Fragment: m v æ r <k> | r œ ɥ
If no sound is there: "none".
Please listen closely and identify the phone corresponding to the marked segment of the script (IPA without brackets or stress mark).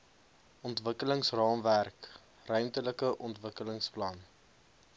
k